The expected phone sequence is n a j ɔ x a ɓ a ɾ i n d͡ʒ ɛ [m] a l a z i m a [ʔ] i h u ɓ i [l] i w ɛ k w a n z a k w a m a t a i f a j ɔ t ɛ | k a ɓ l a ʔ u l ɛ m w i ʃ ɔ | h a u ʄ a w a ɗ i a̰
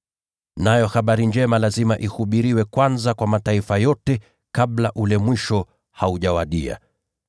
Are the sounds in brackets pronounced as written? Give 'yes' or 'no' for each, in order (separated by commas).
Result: yes, yes, no